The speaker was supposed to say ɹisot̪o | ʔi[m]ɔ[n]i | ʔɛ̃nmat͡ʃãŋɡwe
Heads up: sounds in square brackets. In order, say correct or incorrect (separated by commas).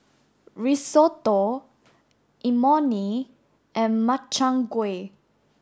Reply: correct, correct